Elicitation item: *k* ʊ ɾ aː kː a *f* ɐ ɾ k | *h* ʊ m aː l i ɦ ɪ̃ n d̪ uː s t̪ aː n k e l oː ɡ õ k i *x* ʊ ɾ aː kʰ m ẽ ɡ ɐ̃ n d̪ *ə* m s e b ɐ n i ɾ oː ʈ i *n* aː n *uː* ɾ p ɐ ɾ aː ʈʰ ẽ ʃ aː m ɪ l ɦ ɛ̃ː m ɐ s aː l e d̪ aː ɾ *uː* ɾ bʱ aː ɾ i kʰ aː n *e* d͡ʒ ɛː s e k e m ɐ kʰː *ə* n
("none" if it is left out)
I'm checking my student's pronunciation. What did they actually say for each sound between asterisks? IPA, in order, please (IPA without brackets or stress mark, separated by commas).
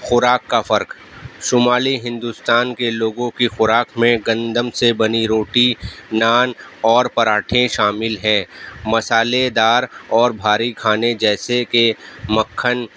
x, f, ʃ, x, ə, n, ɔː, ɔː, e, ə